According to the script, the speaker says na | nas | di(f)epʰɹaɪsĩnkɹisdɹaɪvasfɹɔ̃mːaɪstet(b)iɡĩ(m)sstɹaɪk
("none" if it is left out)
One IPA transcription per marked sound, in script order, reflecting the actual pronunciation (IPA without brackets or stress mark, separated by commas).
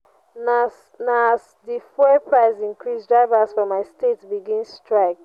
f, b, n